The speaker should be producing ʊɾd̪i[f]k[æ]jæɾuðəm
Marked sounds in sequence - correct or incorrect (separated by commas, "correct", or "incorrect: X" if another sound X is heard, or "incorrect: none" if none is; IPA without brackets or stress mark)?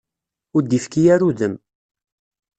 correct, incorrect: i